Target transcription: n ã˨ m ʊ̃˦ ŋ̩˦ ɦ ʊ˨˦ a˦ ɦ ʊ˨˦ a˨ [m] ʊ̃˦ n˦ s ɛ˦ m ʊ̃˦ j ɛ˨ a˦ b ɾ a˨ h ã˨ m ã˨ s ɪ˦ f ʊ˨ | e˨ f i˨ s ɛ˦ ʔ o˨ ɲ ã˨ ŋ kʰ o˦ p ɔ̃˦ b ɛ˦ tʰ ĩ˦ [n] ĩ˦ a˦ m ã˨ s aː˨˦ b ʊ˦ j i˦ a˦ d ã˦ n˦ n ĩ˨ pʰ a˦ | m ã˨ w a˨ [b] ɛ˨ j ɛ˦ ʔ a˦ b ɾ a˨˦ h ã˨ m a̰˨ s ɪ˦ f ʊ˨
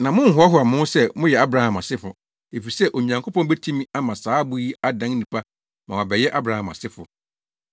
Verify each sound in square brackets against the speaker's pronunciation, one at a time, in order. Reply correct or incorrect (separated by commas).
correct, incorrect, correct